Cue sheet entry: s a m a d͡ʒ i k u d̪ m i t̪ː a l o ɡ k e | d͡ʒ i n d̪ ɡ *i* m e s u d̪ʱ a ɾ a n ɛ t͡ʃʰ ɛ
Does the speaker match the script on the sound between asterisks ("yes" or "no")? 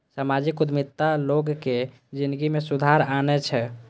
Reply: yes